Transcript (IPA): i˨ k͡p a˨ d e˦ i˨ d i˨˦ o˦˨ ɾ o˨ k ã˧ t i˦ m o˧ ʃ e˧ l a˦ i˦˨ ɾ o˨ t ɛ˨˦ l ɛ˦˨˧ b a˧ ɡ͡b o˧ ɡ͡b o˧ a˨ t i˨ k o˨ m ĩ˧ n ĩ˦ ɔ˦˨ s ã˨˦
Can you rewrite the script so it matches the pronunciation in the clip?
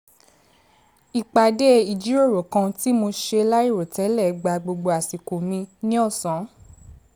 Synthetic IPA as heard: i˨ k͡p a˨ d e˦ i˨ d͡ʒ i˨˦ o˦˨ ɾ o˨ k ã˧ t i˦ m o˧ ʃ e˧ l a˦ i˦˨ ɾ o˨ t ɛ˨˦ l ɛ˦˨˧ ɡ͡b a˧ ɡ͡b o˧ ɡ͡b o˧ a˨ s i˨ k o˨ m ĩ˧ n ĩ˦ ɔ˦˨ s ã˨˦